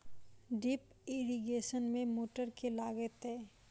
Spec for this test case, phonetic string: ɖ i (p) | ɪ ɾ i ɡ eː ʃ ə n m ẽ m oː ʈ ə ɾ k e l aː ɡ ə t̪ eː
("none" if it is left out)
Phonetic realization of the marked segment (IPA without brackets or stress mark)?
p